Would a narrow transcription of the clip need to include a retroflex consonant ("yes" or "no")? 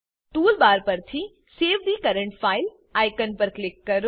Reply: yes